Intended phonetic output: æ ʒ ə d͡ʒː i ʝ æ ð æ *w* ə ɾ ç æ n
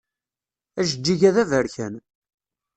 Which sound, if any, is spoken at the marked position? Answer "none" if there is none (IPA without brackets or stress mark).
v